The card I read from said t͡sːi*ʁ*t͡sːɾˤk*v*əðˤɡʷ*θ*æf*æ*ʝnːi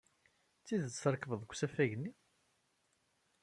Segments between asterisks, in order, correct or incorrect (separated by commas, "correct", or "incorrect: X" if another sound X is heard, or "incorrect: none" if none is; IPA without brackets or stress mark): incorrect: ð, correct, incorrect: s, correct